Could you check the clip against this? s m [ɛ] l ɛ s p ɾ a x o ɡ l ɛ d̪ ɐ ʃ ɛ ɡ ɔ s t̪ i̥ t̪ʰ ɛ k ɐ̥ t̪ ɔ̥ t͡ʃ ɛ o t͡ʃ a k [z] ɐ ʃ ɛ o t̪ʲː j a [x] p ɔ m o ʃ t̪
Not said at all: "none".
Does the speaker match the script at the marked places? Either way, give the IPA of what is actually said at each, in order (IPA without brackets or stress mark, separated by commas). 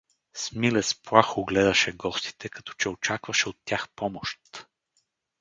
i, v, x